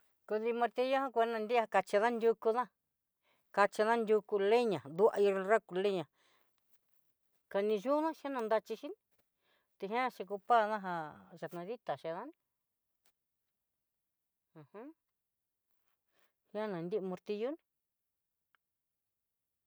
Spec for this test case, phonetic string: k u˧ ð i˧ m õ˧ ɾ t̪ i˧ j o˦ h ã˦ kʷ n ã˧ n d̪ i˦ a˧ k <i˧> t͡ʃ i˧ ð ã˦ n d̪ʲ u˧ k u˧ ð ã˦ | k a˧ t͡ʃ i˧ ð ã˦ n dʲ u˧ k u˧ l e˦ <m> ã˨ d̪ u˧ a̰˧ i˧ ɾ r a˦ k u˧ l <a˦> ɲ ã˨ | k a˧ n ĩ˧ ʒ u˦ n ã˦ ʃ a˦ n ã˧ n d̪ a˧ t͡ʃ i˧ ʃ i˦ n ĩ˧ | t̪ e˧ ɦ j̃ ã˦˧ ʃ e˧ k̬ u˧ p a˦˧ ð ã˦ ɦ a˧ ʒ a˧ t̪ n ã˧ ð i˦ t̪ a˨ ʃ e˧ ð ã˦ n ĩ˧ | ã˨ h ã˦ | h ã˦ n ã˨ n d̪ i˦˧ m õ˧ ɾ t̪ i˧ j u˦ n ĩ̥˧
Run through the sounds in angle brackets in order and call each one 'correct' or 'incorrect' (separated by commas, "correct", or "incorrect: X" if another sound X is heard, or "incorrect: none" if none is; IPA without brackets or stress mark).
incorrect: a˧, incorrect: ɲ, incorrect: e˦